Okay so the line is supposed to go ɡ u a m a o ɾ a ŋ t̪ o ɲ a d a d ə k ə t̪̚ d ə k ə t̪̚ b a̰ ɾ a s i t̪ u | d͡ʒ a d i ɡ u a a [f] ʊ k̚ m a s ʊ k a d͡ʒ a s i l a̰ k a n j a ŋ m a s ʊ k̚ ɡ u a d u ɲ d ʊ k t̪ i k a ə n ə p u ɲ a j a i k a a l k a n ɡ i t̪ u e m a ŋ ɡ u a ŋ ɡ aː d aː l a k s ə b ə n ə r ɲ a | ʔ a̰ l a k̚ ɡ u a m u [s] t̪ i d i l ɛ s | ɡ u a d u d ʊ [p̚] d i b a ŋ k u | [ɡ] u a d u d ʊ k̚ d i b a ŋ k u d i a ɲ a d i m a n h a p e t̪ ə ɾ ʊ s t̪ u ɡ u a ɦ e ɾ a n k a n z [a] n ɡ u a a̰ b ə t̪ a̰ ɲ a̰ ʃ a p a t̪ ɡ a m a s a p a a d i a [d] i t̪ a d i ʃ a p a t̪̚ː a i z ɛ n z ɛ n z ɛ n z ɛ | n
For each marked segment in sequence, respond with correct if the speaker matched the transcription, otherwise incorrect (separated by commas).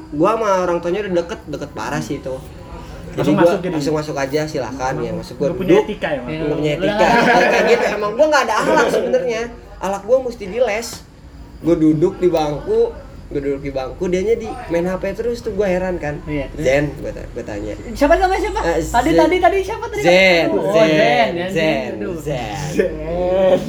incorrect, correct, incorrect, correct, incorrect, correct